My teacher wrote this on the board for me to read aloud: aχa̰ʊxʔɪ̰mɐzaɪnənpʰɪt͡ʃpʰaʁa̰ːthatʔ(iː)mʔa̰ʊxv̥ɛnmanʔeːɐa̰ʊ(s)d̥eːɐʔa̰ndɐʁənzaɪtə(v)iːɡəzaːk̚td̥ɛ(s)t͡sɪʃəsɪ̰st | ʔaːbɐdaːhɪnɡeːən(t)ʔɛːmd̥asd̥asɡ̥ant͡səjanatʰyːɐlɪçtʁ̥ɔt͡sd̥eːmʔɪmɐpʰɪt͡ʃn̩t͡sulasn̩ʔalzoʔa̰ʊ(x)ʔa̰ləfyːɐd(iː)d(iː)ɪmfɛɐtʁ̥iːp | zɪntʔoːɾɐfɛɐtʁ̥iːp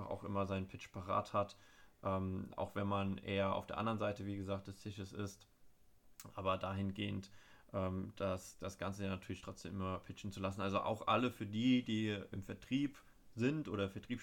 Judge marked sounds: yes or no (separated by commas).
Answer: no, no, yes, yes, yes, yes, yes, yes